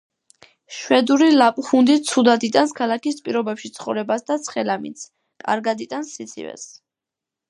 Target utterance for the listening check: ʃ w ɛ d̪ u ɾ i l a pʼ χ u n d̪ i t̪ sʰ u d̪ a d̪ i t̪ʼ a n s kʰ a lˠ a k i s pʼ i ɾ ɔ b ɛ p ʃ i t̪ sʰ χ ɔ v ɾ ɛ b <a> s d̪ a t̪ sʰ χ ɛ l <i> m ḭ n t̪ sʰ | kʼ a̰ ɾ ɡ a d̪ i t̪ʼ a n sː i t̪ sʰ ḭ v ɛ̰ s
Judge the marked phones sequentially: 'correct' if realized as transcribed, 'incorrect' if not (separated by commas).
correct, incorrect